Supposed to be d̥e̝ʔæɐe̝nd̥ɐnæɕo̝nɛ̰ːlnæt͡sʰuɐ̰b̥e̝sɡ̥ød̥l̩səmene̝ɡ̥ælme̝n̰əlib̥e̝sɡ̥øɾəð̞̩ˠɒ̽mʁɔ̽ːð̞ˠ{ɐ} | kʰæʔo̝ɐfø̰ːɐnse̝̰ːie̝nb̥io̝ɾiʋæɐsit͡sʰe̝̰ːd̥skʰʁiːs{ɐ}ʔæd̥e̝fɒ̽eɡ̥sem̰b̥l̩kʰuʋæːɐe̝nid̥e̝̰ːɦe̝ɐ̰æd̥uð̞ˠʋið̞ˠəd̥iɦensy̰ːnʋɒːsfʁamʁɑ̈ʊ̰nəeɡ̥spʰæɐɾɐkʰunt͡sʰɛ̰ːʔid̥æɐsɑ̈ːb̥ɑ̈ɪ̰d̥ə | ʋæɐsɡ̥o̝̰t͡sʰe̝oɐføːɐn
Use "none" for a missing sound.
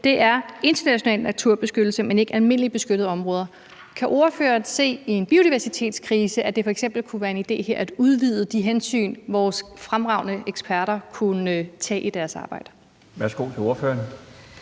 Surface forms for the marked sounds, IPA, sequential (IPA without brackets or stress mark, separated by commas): ɐ, ə